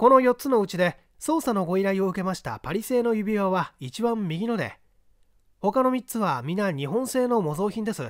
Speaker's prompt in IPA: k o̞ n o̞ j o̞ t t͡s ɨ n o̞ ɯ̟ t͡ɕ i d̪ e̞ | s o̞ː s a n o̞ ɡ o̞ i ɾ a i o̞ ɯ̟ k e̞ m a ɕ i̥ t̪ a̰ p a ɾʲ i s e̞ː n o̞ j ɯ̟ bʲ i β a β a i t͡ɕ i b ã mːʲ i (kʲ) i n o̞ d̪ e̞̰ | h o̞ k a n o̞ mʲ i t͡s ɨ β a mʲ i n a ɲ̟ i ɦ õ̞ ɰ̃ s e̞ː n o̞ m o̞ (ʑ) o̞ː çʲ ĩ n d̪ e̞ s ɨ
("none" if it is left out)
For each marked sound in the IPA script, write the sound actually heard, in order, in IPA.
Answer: ɡʲ, z

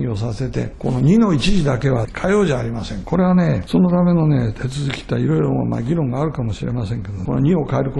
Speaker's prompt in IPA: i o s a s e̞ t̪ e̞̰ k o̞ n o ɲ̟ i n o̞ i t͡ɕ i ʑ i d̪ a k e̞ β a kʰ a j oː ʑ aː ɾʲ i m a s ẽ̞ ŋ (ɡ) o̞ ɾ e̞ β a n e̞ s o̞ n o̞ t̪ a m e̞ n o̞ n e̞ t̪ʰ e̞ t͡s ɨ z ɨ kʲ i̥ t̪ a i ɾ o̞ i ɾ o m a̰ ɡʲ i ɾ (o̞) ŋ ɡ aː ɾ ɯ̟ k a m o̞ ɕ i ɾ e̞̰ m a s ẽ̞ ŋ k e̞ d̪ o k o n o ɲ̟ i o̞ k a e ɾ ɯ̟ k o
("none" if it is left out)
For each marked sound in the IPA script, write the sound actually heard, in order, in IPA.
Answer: k, õ̞

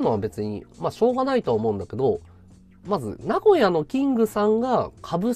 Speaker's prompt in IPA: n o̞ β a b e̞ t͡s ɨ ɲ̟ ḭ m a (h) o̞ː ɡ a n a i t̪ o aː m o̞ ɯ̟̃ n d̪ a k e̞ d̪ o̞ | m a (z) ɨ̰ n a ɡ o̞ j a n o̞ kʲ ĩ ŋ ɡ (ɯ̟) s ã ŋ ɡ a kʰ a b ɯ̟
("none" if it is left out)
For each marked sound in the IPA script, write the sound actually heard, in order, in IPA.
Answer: ɕ, z, ɯ̟

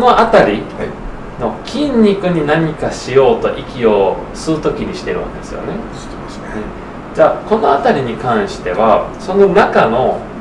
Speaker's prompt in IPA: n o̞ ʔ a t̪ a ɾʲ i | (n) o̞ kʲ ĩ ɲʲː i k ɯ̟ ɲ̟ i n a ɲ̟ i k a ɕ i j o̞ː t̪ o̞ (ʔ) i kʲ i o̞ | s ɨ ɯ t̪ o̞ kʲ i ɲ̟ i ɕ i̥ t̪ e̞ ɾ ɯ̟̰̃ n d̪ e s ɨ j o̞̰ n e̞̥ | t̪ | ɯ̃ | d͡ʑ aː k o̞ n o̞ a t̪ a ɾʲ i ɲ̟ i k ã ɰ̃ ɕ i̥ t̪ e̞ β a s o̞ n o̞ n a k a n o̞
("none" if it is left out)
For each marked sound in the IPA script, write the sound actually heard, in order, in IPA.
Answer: n, ʔ

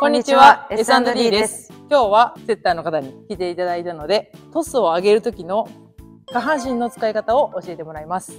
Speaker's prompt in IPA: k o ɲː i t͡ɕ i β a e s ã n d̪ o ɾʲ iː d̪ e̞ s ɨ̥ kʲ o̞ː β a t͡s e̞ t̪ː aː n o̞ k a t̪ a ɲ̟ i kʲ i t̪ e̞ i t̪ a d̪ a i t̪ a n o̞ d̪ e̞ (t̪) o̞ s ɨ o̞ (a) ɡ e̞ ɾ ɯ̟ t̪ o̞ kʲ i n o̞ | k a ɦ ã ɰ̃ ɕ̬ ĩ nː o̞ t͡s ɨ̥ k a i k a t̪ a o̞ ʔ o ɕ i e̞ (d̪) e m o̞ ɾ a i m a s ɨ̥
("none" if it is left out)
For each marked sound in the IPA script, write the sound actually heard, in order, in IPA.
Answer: t̪, a, t̪

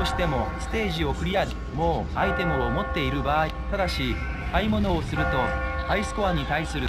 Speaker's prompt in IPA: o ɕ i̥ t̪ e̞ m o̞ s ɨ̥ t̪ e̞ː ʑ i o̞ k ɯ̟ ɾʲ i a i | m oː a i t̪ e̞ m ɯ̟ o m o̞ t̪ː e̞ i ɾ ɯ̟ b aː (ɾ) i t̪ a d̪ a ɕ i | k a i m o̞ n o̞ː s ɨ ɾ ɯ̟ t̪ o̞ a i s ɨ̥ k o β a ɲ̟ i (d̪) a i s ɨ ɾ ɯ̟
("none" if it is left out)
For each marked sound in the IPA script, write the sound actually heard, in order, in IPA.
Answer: none, t̪

